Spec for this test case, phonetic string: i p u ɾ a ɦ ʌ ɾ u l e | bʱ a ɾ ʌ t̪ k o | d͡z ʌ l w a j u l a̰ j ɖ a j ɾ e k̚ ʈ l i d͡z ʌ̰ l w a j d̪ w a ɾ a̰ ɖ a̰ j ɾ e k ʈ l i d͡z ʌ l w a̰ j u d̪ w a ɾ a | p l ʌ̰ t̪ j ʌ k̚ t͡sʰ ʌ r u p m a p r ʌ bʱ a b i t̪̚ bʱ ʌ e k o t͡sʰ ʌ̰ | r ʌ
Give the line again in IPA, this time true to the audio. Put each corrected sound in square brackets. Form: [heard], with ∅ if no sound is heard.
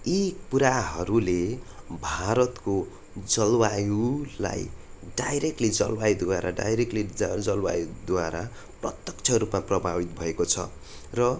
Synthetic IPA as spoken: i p u ɾ a ɦ ʌ ɾ u l e | bʱ a ɾ ʌ t̪ k o | d͡z ʌ l w a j u l a̰ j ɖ a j ɾ e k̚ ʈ l i d͡z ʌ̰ l w a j d̪ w a ɾ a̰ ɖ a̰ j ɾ e k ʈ l i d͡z ʌ l w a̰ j u d̪ w a ɾ a | p [r] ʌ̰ t̪ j ʌ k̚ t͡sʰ ʌ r u p m a p r ʌ bʱ a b i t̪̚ bʱ ʌ e k o t͡sʰ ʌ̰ | r ʌ